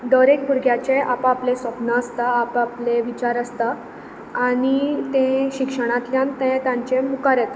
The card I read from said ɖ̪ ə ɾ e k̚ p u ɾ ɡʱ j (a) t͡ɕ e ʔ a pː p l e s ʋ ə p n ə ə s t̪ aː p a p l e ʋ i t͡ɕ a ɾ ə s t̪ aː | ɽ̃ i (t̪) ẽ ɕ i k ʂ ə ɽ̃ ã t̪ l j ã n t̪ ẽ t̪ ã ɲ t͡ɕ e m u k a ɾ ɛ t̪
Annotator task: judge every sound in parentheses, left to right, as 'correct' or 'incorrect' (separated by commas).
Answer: correct, correct